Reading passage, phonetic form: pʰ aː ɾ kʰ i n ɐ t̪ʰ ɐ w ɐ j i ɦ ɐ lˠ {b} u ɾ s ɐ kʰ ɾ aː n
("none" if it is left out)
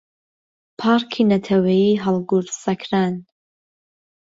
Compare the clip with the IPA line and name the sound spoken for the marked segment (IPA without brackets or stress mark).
ɡ